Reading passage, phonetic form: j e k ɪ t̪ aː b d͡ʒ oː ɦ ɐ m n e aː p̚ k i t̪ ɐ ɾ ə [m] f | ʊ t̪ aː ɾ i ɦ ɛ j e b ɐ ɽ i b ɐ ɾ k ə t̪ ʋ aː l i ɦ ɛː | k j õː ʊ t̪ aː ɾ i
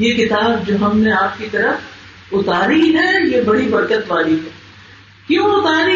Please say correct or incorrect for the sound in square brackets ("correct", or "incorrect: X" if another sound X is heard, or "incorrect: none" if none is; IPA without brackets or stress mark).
incorrect: none